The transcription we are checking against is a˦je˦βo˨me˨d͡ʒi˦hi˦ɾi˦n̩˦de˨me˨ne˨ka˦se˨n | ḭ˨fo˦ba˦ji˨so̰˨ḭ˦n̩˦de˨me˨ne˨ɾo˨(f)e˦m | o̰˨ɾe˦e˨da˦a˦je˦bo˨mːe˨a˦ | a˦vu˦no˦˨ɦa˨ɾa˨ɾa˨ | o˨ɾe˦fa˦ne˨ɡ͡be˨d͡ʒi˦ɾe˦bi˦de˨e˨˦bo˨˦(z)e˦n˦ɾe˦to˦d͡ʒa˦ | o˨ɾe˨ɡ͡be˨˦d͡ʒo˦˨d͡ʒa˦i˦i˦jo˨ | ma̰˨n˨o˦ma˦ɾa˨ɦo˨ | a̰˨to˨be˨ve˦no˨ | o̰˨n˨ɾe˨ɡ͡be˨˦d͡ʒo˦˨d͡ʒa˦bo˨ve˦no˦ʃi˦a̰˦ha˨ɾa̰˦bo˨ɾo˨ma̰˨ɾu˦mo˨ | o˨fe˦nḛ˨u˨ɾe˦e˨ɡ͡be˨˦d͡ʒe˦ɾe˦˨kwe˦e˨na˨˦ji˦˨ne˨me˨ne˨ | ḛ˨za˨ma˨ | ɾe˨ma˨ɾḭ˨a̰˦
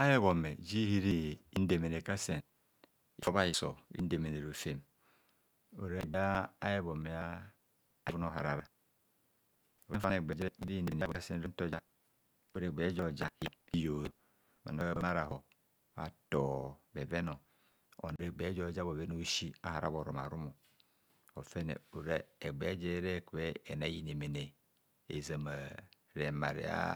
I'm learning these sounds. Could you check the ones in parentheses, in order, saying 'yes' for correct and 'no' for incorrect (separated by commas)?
yes, no